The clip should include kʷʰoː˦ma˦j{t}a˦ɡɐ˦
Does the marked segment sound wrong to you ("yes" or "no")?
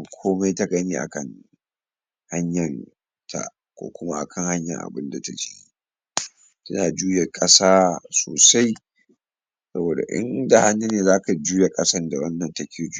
no